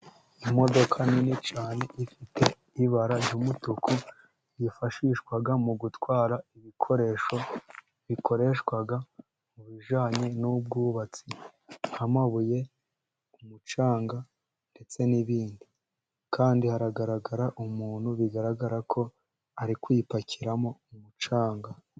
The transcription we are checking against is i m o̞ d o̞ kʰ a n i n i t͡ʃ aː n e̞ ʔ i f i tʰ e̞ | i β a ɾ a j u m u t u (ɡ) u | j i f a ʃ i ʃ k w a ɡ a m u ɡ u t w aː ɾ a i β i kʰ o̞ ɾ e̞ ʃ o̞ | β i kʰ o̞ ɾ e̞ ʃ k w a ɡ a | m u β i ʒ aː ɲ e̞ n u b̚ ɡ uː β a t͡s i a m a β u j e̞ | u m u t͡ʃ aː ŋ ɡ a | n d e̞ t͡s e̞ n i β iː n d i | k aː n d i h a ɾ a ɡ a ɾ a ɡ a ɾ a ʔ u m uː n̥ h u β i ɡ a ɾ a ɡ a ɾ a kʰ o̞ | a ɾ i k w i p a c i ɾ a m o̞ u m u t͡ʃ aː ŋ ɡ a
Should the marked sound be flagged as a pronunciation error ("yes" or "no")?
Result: yes